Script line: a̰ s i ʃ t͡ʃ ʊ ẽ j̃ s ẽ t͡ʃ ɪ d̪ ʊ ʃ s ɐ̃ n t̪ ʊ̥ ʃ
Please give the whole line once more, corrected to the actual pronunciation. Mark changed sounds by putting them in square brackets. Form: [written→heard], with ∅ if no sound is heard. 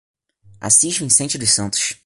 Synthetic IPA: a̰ s i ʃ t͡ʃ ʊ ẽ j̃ s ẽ t͡ʃ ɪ d̪ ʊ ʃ s ɐ̃ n t̪ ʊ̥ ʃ